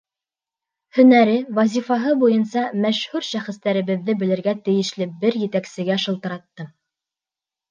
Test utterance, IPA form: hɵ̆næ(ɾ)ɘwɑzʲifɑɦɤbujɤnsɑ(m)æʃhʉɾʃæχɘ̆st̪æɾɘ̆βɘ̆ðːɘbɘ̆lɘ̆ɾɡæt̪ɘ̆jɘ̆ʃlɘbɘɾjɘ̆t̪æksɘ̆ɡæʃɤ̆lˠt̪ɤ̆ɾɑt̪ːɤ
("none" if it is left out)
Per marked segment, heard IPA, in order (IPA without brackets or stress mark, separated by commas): ɾ, m